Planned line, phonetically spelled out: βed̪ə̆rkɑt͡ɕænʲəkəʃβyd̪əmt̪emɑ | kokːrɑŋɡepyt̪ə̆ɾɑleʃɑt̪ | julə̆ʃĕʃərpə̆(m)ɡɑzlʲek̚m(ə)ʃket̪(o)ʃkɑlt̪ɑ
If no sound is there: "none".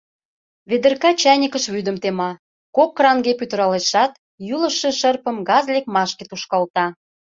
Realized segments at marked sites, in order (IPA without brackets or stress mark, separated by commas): m, ɑ, u